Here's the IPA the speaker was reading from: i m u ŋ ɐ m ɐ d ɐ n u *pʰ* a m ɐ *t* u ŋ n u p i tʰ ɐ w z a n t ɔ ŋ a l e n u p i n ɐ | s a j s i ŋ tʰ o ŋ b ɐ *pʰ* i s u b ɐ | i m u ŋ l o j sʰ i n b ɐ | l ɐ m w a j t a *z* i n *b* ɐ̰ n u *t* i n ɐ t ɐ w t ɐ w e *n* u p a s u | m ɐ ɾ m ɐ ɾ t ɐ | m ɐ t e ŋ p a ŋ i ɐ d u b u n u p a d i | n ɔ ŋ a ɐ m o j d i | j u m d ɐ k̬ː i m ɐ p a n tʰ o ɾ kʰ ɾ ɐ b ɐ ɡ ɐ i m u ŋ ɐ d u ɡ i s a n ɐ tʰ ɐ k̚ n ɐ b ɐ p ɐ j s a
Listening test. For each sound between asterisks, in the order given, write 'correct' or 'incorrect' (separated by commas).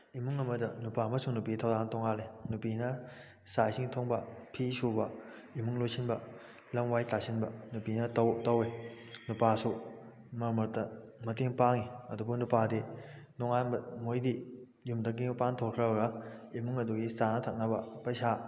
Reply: incorrect, incorrect, correct, incorrect, correct, incorrect, correct